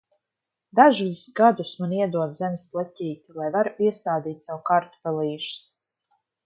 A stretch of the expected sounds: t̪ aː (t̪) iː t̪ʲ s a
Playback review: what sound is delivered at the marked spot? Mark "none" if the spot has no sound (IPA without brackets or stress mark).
d̪